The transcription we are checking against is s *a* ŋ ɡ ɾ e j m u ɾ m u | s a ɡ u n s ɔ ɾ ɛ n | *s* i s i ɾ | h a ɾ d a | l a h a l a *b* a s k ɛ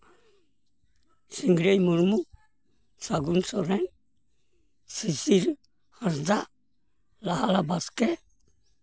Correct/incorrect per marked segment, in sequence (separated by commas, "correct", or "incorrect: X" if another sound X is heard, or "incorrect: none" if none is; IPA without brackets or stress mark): incorrect: i, correct, correct